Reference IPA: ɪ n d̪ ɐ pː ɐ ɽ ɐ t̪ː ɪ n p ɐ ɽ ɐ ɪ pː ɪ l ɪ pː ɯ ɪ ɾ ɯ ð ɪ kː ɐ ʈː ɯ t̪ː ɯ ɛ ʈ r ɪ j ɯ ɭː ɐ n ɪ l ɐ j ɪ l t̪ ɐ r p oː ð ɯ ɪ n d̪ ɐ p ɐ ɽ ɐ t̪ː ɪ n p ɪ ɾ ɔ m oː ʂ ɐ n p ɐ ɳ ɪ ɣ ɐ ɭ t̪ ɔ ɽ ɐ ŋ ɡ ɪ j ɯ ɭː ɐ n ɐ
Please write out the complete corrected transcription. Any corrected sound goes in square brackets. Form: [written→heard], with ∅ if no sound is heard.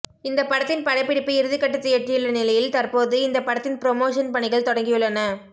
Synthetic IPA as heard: ɪ n d̪ ɐ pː ɐ ɽ ɐ t̪ː ɪ n p ɐ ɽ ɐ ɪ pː ɪ [l→ɽ] ɪ pː ɯ ɪ ɾ ɯ ð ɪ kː ɐ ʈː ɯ t̪ː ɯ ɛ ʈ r ɪ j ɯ ɭː ɐ n ɪ l ɐ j ɪ l t̪ ɐ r p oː ð ɯ ɪ n d̪ ɐ p ɐ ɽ ɐ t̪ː ɪ n p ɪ ɾ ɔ m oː ʂ ɐ n p ɐ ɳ ɪ ɣ ɐ ɭ t̪ ɔ ɽ ɐ ŋ ɡ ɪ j ɯ ɭː ɐ n ɐ